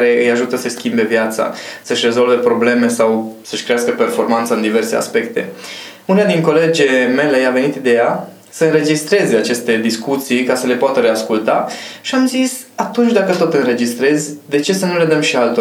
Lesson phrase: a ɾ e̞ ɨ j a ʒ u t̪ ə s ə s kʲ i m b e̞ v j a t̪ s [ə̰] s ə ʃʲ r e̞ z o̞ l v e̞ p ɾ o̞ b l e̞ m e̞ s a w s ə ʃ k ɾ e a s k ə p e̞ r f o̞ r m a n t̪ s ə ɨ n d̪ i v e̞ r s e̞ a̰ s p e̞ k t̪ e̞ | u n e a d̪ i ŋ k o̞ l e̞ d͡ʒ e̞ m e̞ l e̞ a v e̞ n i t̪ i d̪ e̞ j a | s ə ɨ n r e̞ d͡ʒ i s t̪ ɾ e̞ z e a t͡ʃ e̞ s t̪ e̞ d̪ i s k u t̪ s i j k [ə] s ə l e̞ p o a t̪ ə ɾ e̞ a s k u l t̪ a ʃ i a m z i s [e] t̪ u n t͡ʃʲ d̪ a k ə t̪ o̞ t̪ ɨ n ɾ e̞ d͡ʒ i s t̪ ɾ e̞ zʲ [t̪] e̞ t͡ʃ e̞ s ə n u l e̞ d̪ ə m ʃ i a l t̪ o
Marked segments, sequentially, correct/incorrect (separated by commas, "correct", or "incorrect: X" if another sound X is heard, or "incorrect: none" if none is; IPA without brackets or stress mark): incorrect: a̰, incorrect: a, incorrect: a, incorrect: d̪